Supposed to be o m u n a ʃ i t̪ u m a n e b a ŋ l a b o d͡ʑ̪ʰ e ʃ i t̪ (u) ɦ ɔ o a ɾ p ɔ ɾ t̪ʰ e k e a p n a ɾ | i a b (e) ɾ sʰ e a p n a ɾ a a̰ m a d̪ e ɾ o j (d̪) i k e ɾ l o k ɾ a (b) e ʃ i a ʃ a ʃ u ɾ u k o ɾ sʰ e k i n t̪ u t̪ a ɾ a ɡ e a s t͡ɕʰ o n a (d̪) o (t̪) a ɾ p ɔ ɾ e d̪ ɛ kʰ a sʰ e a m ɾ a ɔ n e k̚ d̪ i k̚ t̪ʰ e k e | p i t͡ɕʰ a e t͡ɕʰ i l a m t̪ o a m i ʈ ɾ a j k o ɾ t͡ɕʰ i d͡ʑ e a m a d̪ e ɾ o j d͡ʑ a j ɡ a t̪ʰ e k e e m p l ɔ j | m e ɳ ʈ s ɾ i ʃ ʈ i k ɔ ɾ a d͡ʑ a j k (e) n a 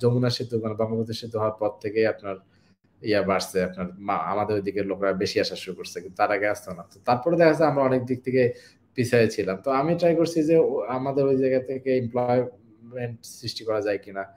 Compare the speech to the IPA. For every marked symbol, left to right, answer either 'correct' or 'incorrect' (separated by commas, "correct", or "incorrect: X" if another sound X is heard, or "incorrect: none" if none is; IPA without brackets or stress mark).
correct, incorrect: a, correct, correct, incorrect: t̪, correct, incorrect: i